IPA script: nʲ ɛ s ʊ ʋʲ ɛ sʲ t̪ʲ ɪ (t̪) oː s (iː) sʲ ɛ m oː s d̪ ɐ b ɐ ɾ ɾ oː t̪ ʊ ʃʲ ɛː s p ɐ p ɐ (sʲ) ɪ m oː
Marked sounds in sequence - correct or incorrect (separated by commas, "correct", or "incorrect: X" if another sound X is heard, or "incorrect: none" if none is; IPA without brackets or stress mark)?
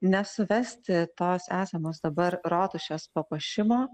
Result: correct, incorrect: æː, incorrect: ʃʲ